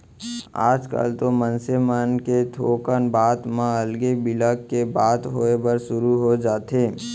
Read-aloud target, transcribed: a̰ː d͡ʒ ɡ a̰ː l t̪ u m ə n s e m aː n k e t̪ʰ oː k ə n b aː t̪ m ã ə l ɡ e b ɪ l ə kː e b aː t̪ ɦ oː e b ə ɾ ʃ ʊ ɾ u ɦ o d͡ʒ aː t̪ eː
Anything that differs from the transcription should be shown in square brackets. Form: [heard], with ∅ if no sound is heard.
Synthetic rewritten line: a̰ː d͡ʒ [k] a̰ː l t̪ [o] m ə n s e m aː n k e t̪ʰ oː k ə n b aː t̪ m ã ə l ɡ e b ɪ l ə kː e b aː t̪ ɦ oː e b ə ɾ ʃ ʊ ɾ u ɦ o d͡ʒ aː t̪ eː